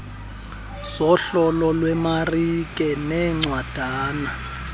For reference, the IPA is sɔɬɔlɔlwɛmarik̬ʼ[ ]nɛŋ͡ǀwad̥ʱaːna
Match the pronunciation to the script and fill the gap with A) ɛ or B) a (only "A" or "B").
A